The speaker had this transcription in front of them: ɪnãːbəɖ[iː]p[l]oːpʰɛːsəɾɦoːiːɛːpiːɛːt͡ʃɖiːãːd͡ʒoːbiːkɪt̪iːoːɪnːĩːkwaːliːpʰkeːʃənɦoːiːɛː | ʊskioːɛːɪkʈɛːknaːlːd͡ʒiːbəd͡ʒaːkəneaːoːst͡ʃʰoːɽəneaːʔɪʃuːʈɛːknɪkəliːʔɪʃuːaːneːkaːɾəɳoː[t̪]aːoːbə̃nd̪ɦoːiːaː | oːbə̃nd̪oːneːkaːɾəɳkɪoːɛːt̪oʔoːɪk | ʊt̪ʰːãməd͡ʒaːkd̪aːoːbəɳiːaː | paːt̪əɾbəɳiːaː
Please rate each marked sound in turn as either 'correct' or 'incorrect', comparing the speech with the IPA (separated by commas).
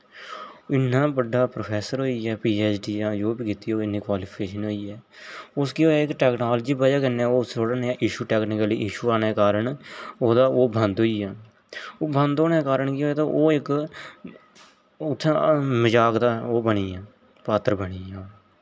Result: incorrect, incorrect, incorrect